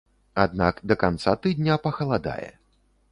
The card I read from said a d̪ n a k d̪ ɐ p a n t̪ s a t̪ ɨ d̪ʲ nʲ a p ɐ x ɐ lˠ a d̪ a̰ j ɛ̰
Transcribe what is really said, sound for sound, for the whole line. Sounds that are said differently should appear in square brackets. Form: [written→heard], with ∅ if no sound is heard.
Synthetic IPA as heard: a d̪ n a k d̪ ɐ [p→k] a n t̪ s a t̪ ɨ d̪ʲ nʲ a p ɐ x ɐ lˠ a d̪ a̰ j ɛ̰